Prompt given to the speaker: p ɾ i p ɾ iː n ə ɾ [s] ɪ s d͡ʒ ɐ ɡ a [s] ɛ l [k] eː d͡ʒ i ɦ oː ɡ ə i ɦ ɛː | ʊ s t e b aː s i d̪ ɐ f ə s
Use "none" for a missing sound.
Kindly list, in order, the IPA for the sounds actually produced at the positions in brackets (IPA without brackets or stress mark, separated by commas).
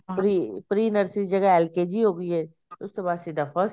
s, none, k